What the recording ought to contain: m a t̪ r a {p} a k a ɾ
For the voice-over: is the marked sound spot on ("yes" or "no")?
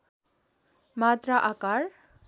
no